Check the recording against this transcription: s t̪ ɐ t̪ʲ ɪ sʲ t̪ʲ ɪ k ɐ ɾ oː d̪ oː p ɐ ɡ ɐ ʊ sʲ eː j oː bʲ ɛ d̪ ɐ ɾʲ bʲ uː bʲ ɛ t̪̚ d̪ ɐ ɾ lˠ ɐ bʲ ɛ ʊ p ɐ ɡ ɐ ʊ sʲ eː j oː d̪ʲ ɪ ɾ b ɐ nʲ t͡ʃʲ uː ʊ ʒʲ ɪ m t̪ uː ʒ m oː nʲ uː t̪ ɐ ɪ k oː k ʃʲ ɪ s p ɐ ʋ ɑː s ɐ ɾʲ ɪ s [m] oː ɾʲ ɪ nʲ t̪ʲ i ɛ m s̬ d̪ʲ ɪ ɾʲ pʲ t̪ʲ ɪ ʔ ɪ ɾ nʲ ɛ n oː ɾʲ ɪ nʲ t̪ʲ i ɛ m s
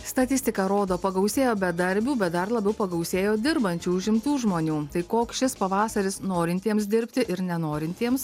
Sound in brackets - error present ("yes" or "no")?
yes